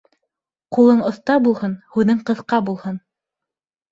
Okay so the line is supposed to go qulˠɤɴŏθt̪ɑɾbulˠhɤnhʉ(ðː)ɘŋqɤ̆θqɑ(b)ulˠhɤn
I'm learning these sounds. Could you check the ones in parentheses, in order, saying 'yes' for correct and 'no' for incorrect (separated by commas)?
no, yes